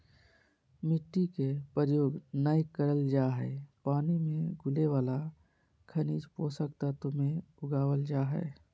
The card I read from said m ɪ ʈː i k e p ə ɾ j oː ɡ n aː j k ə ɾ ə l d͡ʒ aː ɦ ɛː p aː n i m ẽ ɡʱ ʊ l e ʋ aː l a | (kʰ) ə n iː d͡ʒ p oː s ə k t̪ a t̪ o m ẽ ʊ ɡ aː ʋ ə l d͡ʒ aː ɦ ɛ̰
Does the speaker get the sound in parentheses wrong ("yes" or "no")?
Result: no